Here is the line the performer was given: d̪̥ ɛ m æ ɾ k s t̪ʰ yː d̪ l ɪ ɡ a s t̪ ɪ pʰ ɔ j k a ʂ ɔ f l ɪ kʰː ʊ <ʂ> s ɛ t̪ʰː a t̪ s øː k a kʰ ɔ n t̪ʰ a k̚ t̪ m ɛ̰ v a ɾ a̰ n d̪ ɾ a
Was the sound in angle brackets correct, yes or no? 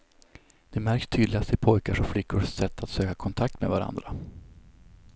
yes